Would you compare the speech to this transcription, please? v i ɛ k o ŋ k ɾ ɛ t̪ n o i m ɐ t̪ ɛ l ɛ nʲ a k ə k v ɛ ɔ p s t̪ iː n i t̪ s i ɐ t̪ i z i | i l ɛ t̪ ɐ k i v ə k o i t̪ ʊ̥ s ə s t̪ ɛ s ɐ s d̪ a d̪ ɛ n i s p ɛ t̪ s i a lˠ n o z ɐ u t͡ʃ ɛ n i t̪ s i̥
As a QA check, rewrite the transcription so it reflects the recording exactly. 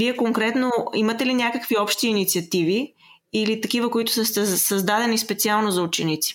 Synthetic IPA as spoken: v i ɛ k o ŋ k ɾ ɛ t̪ n o i m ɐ t̪ ɛ l i nʲ a k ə k v i ɔ p ʃ t̪ iː n i t̪ s i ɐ t̪ i v i | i l i t̪ ɐ k i v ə k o i t̪ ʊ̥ s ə s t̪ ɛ s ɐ z d̪ a d̪ ɛ n i s p ɛ t̪ s i a lˠ n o z ɐ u t͡ʃ ɛ n i t̪ s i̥